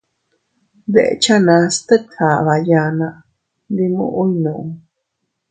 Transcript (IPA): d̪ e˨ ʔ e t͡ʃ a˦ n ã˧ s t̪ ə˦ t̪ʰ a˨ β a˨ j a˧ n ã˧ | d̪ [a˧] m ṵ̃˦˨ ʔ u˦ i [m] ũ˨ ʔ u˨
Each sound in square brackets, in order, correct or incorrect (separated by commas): incorrect, incorrect